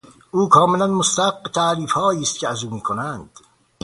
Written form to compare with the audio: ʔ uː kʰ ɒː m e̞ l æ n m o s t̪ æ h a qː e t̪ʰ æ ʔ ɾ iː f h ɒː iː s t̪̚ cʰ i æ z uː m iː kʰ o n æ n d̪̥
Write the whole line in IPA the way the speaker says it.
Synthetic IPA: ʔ uː kʰ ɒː m e̞ l æ n m o s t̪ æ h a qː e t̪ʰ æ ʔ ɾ iː f h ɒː iː s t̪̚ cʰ e æ z uː m iː kʰ o n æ n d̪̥